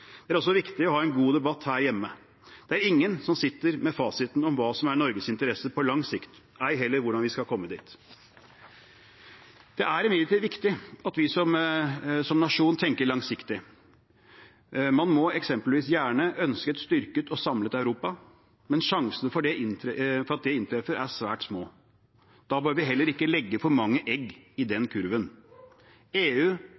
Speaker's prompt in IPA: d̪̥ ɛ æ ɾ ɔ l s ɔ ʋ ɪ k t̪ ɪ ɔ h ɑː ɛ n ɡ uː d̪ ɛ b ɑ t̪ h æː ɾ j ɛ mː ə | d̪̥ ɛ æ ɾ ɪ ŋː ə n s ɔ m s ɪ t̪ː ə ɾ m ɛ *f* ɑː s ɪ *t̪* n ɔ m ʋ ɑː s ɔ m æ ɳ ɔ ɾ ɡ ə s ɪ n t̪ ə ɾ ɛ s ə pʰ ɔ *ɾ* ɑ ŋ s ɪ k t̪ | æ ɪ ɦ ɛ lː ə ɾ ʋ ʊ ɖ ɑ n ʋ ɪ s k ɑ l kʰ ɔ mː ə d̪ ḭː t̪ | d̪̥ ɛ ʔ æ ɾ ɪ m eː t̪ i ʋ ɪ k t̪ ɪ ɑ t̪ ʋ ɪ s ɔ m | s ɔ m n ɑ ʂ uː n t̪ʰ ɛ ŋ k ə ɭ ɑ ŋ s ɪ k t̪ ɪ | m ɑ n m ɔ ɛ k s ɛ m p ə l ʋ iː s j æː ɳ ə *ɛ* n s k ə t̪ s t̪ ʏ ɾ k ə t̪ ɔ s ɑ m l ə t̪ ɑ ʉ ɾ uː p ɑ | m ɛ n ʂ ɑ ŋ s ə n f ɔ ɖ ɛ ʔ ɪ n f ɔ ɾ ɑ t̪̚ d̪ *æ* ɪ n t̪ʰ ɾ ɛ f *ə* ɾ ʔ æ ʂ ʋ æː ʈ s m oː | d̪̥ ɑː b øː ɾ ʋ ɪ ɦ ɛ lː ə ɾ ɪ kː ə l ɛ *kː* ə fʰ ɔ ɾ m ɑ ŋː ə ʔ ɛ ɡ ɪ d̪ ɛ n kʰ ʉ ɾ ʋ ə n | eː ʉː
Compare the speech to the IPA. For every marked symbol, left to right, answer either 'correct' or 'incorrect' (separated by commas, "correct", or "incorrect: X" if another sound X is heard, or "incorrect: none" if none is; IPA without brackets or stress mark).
correct, correct, incorrect: l, incorrect: œ, incorrect: ɛ, correct, incorrect: ɡː